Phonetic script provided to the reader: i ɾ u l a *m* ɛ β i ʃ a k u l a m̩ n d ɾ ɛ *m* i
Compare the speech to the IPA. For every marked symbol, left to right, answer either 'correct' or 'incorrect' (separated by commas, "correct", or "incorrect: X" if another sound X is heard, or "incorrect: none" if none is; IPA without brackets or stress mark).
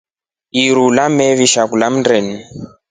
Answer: correct, incorrect: n